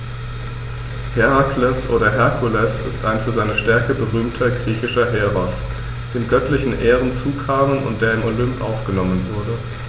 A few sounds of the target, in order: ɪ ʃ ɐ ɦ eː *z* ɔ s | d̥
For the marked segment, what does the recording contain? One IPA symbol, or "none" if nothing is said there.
ʁ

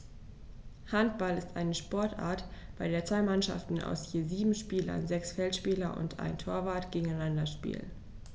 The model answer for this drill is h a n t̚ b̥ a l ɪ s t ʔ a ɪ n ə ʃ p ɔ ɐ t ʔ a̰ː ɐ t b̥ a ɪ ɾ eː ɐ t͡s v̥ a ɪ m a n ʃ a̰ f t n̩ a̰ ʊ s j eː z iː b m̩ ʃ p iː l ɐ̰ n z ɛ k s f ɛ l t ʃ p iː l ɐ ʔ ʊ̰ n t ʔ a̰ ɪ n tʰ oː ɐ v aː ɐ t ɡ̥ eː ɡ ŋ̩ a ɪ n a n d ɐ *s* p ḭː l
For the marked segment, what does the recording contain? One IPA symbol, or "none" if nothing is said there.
ʃ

